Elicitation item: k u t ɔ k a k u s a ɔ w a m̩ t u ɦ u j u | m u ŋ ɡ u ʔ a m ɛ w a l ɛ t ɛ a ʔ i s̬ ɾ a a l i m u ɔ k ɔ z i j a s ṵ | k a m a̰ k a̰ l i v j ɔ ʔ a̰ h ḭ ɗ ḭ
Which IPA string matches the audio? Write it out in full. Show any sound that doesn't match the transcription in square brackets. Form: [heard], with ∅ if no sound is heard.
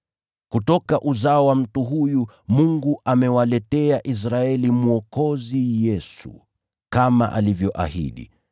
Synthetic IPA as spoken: k u t ɔ k a [ʔ] u [z] a ɔ w a m̩ t u ɦ u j u | m u ŋ ɡ u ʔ a m ɛ w a l ɛ t ɛ a ʔ i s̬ ɾ a [ɛ] l i m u ɔ k ɔ z i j [ɛ] s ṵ | k a m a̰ [ʔ] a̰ l i v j ɔ ʔ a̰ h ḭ ɗ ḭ